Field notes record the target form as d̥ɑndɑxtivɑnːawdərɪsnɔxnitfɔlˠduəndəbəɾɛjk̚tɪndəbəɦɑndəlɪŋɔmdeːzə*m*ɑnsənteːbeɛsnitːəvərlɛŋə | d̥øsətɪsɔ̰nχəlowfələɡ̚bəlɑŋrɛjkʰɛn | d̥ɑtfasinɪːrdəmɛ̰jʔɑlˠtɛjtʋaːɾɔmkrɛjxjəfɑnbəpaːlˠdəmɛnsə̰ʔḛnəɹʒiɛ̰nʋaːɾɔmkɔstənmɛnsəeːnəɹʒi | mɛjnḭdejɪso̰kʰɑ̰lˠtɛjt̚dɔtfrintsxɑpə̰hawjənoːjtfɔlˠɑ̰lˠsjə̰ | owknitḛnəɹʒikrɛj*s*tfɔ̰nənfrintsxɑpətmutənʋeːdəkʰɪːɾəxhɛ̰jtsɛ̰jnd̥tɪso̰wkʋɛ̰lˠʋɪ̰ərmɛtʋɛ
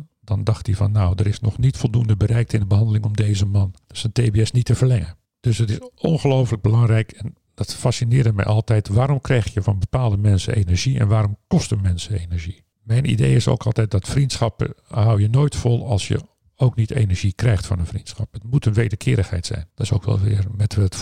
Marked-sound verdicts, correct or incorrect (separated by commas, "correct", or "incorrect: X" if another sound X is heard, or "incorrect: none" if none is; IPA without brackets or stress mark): correct, incorrect: x